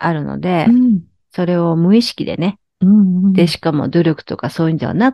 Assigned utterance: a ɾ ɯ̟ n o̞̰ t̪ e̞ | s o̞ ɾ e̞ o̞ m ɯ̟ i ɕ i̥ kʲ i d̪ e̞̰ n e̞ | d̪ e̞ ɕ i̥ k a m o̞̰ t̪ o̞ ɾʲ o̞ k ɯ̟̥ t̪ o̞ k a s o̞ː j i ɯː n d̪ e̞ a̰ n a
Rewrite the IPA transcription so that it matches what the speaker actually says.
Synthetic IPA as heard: a ɾ ɯ̟ n o̞̰ d̪ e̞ | s o̞ ɾ e̞ o̞ m ɯ̟ i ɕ i̥ kʲ i d̪ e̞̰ n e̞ | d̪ e̞ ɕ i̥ k a m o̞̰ d̪ o̞ ɾʲ o̞ k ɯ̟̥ t̪ o̞ k a s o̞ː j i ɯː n d̪ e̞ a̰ n a